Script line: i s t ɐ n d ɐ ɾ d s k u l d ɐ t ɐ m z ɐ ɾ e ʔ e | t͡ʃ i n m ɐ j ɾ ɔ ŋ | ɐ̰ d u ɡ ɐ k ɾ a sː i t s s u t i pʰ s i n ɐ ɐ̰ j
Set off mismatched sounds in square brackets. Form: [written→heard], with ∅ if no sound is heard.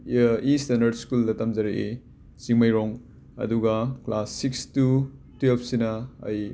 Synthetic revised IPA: i s t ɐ n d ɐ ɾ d s k u l d ɐ t ɐ m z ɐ ɾ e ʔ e | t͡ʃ i [n→ŋ] m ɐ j ɾ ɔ ŋ | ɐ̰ d u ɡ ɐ k [ɾ→l] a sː i [t→k] s [s→t] u t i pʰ s i n ɐ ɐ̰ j